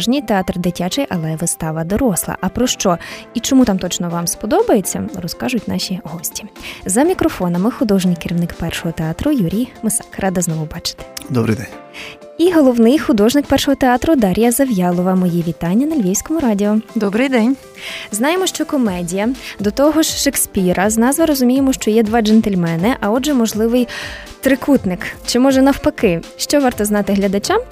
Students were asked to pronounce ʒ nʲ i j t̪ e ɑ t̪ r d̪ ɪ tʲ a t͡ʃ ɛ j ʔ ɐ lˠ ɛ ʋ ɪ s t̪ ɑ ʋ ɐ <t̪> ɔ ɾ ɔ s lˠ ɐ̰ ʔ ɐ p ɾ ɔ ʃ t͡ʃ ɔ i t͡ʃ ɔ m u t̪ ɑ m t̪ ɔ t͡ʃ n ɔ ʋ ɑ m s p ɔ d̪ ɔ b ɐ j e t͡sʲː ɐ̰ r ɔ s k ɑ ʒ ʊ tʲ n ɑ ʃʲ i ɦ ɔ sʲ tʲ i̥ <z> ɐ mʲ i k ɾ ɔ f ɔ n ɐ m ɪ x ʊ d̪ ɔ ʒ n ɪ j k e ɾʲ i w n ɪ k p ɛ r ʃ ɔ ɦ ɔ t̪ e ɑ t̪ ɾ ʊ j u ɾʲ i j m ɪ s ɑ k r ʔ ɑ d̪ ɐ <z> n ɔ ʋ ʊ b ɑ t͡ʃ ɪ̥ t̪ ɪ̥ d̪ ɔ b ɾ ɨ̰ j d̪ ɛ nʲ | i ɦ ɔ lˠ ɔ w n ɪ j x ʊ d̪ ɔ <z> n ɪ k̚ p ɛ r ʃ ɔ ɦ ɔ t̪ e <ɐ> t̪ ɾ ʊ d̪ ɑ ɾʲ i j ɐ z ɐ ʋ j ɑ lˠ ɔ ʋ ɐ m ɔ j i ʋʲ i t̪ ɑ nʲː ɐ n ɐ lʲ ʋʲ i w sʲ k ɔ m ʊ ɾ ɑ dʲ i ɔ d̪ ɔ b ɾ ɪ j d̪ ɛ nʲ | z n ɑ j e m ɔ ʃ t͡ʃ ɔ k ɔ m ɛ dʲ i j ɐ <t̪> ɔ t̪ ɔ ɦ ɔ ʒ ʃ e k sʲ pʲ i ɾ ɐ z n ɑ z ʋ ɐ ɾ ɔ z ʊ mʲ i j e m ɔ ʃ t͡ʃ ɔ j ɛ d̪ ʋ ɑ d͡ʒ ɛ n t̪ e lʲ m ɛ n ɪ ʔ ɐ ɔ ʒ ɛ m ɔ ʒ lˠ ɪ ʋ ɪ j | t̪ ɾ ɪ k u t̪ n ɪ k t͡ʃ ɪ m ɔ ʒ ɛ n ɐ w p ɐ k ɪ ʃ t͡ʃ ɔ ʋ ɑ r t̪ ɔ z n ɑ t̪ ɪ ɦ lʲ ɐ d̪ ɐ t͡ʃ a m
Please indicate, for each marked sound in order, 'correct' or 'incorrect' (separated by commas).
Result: incorrect, correct, correct, incorrect, incorrect, incorrect